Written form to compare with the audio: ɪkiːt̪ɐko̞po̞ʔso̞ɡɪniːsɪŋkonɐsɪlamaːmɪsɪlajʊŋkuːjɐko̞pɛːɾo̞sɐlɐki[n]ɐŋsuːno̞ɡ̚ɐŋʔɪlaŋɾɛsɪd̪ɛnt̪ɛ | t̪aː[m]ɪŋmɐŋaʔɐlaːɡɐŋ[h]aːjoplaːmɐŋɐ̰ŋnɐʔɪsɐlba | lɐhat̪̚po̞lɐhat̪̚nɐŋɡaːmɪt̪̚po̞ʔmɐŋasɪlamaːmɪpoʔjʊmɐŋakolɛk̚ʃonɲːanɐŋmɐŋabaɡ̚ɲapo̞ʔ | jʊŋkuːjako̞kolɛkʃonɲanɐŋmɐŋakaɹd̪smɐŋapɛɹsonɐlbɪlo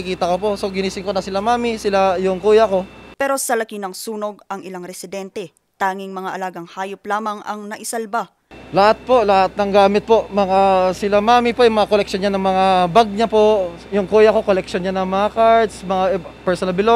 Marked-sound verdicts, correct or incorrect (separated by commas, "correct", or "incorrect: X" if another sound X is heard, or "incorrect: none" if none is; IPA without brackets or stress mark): correct, incorrect: ŋ, correct